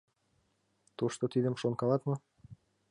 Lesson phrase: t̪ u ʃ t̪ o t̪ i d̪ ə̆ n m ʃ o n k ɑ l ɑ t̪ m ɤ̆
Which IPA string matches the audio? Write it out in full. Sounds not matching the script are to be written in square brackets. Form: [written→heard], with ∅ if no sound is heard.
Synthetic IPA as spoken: t̪ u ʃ t̪ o t̪ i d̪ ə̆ [n→∅] m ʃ o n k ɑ l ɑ t̪ m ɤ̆